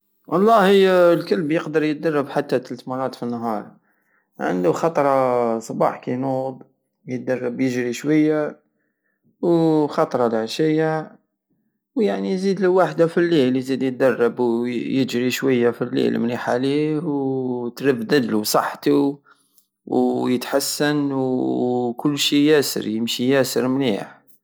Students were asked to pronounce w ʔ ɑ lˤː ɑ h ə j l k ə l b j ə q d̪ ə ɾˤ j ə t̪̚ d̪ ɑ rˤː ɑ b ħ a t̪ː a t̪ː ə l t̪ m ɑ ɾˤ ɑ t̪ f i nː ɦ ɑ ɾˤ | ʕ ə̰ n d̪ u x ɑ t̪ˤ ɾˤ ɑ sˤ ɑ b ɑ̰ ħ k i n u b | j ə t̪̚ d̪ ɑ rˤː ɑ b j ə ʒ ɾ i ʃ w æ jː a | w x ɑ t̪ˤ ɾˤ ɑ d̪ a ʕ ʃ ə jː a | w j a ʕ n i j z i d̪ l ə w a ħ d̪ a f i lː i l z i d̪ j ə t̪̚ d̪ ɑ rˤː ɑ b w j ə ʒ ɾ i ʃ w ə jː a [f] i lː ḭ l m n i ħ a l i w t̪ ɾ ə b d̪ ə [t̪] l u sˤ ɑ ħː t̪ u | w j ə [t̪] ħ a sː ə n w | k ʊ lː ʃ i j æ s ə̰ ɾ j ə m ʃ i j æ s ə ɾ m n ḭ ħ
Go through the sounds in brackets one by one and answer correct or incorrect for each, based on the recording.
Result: correct, incorrect, correct

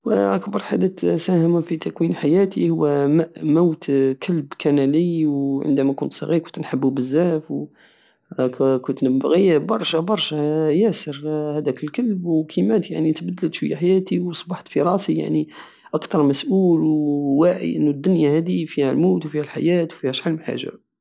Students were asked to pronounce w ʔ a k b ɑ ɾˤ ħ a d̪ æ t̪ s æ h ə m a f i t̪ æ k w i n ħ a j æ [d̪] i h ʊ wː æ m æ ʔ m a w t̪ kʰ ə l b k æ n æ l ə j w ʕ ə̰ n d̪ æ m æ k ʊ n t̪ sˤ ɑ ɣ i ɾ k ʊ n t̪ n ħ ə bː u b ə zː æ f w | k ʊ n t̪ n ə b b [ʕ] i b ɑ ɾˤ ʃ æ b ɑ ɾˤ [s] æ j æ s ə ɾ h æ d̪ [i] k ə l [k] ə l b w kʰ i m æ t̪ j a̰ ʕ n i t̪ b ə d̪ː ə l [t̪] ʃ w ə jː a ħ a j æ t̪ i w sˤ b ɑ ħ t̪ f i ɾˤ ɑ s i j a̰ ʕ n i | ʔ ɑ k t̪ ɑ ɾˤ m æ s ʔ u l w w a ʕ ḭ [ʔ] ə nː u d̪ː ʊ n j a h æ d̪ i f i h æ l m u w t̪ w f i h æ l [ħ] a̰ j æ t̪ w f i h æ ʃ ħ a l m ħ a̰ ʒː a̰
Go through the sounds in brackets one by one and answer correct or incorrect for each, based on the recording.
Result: incorrect, incorrect, incorrect, incorrect, correct, correct, correct, correct

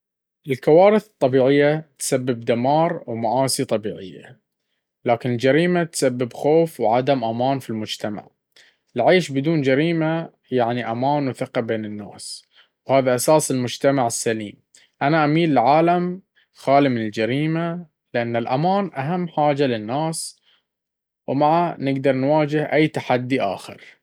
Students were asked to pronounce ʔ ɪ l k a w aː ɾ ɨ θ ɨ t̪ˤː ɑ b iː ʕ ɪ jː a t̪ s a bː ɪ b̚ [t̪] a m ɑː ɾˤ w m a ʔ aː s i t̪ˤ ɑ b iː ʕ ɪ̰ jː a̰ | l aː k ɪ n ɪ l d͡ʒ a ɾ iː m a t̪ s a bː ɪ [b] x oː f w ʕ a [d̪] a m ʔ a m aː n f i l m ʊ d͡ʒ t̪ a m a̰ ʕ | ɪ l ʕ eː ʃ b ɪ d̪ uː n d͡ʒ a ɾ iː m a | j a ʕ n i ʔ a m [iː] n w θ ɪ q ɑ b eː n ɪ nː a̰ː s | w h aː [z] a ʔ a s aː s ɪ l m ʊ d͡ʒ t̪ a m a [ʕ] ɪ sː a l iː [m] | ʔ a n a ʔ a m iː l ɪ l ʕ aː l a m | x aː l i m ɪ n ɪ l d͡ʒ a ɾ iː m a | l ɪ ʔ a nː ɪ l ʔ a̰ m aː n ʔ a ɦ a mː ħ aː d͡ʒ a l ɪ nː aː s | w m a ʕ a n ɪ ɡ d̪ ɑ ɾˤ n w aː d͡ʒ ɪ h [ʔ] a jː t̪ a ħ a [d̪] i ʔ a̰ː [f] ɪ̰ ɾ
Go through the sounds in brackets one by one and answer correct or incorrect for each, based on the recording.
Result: incorrect, correct, correct, incorrect, incorrect, correct, correct, correct, incorrect, incorrect

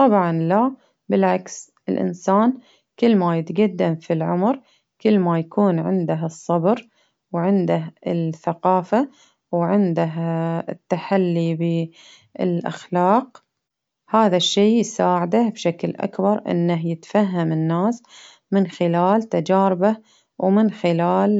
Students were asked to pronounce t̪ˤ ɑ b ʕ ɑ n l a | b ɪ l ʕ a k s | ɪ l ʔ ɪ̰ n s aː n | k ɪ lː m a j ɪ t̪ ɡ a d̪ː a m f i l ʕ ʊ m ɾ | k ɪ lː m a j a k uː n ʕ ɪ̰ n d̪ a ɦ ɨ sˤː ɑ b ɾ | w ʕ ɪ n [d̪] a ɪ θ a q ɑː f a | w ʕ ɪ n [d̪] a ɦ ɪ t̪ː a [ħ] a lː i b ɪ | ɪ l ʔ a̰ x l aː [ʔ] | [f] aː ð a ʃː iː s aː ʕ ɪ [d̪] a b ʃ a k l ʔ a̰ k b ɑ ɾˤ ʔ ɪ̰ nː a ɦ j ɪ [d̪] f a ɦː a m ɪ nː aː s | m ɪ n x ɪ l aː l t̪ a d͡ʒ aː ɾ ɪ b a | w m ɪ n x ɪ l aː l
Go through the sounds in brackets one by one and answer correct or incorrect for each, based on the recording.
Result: correct, correct, correct, incorrect, incorrect, correct, incorrect

